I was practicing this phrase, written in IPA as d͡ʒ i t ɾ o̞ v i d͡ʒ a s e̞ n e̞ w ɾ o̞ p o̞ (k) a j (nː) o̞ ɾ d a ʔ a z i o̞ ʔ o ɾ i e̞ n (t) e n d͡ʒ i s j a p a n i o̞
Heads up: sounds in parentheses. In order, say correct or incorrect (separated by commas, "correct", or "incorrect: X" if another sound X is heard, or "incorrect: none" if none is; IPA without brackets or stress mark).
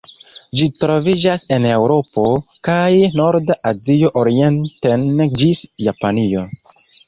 correct, incorrect: n, correct